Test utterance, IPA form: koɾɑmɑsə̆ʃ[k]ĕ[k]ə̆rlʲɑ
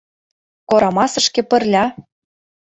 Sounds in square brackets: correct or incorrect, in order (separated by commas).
correct, incorrect